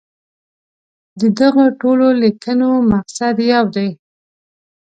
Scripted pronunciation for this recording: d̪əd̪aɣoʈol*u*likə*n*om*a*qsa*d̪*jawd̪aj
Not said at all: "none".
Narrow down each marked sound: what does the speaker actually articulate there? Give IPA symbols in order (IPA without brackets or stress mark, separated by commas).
o, n, a, d̪